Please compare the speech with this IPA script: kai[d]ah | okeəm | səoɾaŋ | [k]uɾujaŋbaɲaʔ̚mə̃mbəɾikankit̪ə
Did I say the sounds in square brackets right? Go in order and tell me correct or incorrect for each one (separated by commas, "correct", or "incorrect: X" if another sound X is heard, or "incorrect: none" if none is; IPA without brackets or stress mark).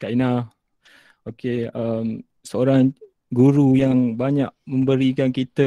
incorrect: n, incorrect: ɡ